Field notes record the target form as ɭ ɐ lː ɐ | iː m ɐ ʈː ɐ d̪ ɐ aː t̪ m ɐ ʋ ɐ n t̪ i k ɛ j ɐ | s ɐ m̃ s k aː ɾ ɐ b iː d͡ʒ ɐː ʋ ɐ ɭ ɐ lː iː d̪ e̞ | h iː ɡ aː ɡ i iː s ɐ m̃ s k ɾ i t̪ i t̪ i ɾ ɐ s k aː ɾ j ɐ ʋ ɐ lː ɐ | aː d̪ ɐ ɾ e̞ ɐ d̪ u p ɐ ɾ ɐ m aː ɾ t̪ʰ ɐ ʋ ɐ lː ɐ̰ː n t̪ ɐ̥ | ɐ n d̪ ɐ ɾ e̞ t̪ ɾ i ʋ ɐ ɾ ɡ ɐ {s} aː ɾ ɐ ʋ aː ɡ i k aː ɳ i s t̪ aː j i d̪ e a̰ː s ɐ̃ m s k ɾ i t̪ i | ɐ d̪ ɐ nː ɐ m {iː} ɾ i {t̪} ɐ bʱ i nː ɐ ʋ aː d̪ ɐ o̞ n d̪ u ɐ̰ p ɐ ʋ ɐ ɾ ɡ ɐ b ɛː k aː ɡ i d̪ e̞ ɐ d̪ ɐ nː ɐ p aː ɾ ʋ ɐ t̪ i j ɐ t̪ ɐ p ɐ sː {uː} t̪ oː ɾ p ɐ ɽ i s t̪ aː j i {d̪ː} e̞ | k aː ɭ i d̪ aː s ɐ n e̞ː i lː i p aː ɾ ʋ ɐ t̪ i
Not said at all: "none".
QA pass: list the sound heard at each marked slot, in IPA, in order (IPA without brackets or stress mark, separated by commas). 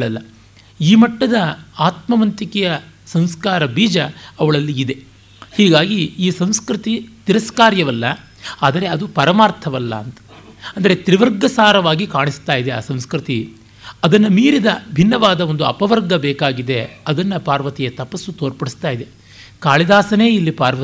s, iː, d̪, u, d̪